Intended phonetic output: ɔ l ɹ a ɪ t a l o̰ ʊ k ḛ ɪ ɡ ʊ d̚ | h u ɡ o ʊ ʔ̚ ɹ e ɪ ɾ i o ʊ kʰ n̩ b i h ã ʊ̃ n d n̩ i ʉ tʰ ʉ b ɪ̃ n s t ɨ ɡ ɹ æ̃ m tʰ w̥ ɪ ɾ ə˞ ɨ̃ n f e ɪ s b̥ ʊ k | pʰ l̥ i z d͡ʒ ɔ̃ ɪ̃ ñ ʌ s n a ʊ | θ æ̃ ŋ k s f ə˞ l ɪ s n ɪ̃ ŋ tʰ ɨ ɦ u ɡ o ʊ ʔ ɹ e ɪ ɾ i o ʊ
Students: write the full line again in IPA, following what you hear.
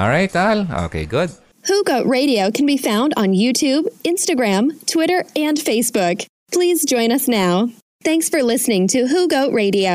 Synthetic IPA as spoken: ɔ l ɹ a ɪ t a l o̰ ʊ k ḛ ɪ ɡ ʊ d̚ | h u ɡ o ʊ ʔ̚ ɹ e ɪ ɾ i o ʊ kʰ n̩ b i f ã ʊ̃ n d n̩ j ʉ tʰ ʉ b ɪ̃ n s t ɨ ɡ ɹ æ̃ m tʰ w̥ ɪ ɾ ə˞ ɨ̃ n f e ɪ s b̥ ʊ k | pʰ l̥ i z d͡ʒ ɔ̃ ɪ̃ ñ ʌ s n a ʊ | θ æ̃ ŋ k s f ə˞ l ɪ s n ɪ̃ ŋ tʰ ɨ ɦ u ɡ o ʊ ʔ ɹ e ɪ ɾ i o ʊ